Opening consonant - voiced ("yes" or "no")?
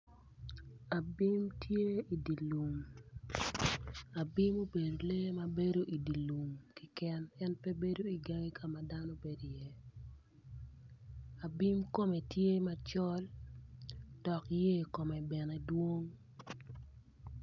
yes